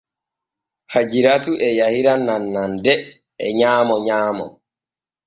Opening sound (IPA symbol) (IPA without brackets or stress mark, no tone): h